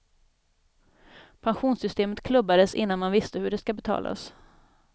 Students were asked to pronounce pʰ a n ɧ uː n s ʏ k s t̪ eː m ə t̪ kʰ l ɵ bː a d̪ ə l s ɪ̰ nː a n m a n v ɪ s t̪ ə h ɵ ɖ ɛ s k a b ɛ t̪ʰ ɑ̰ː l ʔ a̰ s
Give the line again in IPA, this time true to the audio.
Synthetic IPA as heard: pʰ a n ɧ uː n s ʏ s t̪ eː m ə t̪ kʰ l ɵ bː a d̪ ə s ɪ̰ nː a n m a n v ɪ s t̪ ə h ɵ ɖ ɛ s k a b ɛ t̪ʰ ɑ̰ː l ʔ a̰ s